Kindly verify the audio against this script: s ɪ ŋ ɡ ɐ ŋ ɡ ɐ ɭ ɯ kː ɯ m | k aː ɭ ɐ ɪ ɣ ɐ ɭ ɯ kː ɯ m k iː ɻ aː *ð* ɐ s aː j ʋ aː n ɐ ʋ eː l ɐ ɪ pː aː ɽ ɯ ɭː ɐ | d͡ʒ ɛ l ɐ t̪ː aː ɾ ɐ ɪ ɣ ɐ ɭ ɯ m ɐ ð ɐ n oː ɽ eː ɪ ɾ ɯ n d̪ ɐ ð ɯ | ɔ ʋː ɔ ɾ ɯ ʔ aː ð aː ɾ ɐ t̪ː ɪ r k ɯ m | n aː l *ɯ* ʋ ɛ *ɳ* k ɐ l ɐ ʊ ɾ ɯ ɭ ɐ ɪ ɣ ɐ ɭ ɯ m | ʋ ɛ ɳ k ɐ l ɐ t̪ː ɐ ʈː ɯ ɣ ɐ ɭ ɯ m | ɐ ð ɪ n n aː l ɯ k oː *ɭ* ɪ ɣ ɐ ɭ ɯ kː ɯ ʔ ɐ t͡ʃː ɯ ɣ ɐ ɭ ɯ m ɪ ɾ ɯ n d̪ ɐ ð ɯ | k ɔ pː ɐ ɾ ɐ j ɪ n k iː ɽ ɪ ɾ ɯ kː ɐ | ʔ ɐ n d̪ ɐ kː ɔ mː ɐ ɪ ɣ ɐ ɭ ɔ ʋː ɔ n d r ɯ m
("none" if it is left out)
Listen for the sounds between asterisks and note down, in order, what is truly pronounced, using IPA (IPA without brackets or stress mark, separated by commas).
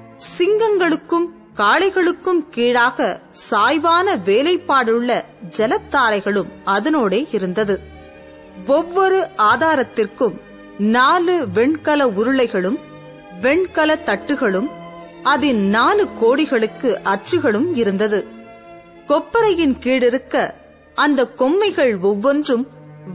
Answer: ɣ, ɯ, ɳ, ɽ